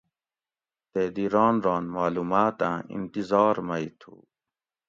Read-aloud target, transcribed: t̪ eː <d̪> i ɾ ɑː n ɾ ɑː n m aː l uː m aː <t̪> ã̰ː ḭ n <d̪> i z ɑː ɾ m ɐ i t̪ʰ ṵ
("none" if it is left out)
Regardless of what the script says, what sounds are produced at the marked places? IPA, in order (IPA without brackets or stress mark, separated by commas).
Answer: d̪, t̪, t̪